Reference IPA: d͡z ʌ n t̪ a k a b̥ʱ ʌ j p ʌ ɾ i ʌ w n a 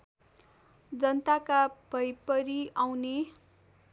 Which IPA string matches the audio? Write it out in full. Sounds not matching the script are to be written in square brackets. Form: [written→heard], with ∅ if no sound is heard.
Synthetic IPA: d͡z ʌ n t̪ a k a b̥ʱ ʌ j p ʌ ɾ i [ʌ→a] w n [a→e]